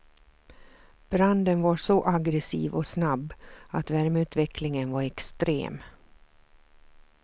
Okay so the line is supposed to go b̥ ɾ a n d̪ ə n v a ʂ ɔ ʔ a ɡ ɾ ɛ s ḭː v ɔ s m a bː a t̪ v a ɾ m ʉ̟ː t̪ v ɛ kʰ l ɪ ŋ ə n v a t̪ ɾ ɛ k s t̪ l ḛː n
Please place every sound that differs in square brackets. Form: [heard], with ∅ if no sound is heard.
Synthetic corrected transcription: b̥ ɾ a n d̪ ə n v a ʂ ɔ ʔ a ɡ ɾ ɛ s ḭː v ɔ s [n] a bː a t̪ v [æ] ɾ m ʉ̟ː t̪ v ɛ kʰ l ɪ ŋ ə n v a [∅] ɾ ɛ k s t̪ [ɾ] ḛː [m]